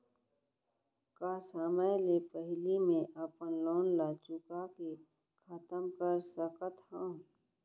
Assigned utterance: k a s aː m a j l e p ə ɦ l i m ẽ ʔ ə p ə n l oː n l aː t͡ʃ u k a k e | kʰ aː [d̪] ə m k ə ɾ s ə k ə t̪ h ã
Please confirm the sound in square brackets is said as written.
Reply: no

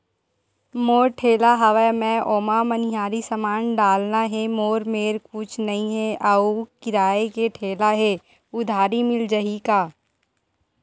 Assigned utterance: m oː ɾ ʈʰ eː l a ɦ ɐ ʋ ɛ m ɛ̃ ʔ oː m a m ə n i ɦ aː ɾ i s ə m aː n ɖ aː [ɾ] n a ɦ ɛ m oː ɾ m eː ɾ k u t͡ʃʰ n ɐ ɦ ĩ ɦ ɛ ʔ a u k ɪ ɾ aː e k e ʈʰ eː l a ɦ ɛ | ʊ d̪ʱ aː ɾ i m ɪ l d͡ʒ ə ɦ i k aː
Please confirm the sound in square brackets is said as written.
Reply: no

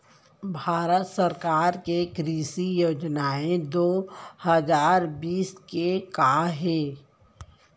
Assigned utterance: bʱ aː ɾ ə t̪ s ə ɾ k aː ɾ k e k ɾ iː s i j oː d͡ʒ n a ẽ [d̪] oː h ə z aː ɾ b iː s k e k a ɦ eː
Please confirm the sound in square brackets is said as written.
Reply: yes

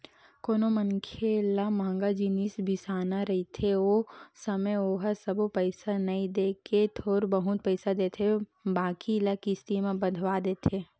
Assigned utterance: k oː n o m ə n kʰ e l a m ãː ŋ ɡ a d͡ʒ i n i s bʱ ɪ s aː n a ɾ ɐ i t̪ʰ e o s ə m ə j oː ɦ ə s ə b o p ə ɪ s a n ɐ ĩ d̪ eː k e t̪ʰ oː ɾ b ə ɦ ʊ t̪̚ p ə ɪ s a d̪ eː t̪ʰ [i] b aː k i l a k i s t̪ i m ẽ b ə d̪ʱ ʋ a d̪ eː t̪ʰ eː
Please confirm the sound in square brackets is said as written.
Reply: no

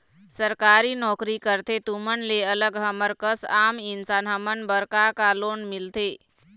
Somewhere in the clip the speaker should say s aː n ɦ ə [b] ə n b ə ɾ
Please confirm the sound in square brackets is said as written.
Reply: no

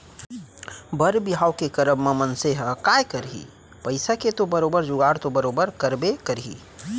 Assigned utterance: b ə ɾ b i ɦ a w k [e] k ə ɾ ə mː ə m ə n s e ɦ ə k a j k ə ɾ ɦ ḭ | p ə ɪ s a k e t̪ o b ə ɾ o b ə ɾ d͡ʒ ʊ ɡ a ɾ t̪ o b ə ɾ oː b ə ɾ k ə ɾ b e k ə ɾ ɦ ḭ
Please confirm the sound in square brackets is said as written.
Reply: yes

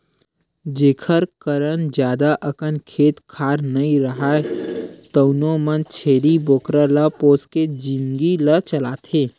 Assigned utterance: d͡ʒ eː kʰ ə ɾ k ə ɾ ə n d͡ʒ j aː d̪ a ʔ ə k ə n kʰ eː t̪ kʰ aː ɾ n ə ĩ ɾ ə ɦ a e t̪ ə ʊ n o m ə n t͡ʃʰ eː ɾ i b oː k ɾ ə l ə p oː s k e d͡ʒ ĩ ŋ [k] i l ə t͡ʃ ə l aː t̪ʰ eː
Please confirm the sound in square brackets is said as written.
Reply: no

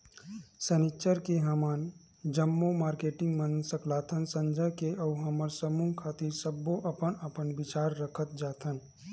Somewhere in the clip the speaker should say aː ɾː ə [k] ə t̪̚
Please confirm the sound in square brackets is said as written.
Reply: no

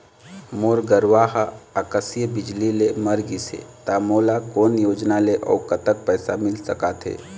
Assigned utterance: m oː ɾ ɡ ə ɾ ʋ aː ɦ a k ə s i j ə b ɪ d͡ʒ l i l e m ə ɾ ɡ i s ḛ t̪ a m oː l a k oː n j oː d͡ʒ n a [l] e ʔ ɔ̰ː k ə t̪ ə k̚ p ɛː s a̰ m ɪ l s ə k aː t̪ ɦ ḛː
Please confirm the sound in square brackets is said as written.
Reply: yes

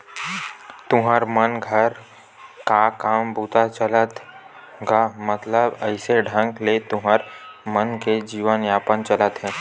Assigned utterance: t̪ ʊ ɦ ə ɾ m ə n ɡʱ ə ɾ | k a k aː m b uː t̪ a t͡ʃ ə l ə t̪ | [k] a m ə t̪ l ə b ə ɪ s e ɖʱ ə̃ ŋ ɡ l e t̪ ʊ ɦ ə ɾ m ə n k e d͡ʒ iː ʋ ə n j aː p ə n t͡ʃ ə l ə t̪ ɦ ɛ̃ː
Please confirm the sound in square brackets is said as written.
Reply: no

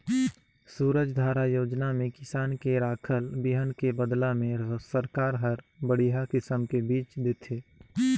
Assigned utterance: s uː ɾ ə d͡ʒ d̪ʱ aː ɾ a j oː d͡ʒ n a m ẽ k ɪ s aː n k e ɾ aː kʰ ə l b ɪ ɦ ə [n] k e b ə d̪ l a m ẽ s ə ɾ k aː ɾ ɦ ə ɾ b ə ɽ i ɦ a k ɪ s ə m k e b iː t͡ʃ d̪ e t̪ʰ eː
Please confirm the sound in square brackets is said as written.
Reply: yes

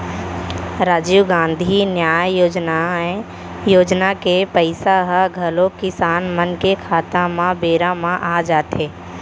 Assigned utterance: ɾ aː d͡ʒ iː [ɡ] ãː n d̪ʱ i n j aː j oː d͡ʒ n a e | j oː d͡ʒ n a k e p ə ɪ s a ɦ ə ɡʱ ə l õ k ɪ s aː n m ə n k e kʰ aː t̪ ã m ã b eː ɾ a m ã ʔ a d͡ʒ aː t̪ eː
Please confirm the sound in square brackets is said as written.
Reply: yes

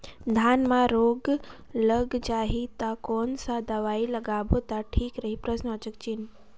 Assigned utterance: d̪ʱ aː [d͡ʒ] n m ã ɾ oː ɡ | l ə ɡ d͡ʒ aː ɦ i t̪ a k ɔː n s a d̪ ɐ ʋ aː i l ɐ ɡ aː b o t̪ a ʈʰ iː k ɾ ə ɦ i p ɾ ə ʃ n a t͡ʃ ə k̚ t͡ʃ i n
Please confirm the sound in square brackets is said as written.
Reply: no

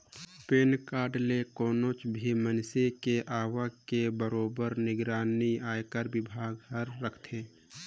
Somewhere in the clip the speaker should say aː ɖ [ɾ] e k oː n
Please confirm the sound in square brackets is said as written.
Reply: no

